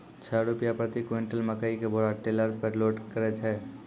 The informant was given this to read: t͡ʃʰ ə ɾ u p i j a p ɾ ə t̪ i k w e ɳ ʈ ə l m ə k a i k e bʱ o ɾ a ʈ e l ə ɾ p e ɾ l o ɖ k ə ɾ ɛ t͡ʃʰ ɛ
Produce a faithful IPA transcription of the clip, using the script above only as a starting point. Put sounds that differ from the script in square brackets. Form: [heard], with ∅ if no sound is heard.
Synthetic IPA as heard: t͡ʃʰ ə ɾ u p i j a p ɾ ə t̪ i k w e ɳ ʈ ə l m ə k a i k e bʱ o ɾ a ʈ e l ə ɾ p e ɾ l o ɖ k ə ɾ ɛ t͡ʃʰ ɛ

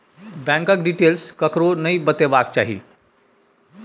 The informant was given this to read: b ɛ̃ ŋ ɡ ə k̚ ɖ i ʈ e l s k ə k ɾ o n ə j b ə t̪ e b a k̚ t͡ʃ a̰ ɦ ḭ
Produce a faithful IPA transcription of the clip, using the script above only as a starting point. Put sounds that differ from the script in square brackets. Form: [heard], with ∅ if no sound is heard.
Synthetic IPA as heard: b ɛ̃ ŋ [k] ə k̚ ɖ i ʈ e l s k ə k ɾ o n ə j b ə t̪ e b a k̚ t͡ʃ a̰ ɦ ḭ

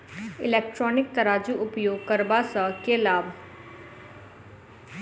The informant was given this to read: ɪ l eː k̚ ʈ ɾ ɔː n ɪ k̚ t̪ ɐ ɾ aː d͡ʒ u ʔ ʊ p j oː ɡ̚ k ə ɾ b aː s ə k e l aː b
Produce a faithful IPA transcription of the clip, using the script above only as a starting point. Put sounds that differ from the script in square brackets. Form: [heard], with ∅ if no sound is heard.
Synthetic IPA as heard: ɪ l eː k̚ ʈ ɾ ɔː n ɪ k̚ t̪ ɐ ɾ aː d͡ʒ u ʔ ʊ p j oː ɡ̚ k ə ɾ b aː s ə k e l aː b

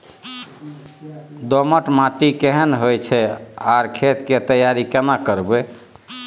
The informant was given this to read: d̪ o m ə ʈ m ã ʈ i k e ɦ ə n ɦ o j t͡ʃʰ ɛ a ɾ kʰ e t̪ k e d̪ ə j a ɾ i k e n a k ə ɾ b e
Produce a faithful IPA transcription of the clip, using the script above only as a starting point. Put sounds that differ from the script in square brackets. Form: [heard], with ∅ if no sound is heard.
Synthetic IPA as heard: d̪ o m ə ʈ m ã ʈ i k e ɦ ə n ɦ o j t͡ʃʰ ɛ a ɾ kʰ e t̪ k e [t̪] ə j a ɾ i k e n a k ə ɾ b e

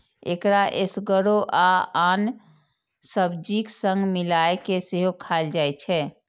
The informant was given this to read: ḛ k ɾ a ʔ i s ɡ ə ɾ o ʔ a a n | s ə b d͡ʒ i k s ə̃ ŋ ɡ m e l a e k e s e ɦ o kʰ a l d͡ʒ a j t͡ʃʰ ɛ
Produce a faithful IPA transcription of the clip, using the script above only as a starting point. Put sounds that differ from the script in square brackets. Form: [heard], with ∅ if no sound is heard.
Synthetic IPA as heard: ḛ k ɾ a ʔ [e] s ɡ ə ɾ o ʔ a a n | s ə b d͡ʒ i k s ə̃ ŋ ɡ m [i] l a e k e s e ɦ o kʰ a l d͡ʒ a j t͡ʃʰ ɛ

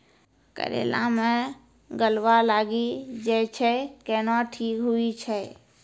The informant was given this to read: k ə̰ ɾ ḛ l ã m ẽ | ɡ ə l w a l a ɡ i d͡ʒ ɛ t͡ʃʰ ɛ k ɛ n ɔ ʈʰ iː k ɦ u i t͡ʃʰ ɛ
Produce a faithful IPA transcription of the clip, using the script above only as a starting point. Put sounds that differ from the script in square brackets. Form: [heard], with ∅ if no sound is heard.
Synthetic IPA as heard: k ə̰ ɾ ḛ l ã m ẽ | ɡ ə l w a l a ɡ i d͡ʒ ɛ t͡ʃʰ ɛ k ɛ n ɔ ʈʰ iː k ɦ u i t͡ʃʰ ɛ

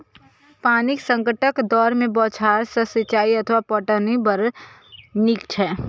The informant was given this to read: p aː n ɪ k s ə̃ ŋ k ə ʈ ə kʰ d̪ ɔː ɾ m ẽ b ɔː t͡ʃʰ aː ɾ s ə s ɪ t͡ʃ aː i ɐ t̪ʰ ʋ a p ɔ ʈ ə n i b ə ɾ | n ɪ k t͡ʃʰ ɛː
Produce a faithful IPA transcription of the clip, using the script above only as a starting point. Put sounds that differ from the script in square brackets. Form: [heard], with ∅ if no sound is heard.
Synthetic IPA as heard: p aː n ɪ k s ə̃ ŋ k ə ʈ ə [k] d̪ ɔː ɾ m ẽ b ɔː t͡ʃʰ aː ɾ s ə s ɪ t͡ʃ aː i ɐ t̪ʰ ʋ a p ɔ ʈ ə n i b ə ɾ | n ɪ k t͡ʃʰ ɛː

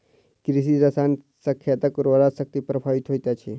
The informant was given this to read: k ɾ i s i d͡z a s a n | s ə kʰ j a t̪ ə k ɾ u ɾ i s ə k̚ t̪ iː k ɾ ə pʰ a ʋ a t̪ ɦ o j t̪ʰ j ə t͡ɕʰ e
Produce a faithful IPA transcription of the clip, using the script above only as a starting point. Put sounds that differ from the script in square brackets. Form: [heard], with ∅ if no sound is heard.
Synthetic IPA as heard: k ɾ i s i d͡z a s a n | s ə kʰ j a t̪ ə k ɾ [o] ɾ [a] s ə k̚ t̪ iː [p] ɾ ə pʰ a ʋ [i] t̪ ɦ o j [t̪] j [a] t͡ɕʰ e

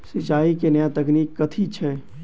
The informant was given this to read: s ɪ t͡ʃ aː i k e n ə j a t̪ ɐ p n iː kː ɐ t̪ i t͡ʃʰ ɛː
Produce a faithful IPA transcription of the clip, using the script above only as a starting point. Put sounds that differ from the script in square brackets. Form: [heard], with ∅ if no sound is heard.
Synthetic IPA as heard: s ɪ t͡ʃ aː i k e n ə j a t̪ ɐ [k] n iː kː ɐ [t̪ʰ] i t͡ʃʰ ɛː

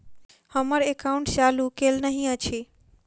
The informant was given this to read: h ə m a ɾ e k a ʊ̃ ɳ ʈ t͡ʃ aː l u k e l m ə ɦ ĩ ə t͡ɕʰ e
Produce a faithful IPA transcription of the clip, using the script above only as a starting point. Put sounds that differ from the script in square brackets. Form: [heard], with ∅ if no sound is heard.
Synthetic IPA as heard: h ə m [ə] ɾ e k a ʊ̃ ɳ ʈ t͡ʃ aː l u k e l [n] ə ɦ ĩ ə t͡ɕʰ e

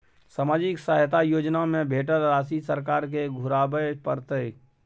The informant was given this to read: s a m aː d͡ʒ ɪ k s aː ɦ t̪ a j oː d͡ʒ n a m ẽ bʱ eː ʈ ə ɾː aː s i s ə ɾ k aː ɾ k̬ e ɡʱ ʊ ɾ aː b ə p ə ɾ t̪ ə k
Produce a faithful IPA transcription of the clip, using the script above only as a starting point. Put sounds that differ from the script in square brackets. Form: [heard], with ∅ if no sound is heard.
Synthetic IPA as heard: s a m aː d͡ʒ ɪ k s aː ɦ t̪ a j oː d͡ʒ n a m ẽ bʱ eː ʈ ə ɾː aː s i s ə ɾ k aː ɾ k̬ e ɡʱ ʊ ɾ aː b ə p ə ɾ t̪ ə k

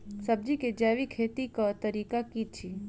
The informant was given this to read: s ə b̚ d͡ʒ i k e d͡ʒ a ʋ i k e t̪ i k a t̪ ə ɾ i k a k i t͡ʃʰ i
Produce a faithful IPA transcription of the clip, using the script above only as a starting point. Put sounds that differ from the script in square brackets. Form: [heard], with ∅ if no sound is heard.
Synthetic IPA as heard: s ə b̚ d͡ʒ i k e d͡ʒ a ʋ i [kʰ] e t̪ i k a t̪ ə ɾ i k a k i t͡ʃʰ i

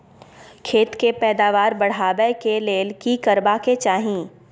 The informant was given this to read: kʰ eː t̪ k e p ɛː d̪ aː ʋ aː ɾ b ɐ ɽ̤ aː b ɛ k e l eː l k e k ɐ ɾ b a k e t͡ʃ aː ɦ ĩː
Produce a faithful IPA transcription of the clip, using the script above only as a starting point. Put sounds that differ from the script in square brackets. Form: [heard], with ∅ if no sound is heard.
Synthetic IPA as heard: kʰ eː t̪ k e p ɛː d̪ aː ʋ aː ɾ b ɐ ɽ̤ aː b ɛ k e l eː l k [i] k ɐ ɾ b a k e t͡ʃ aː ɦ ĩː

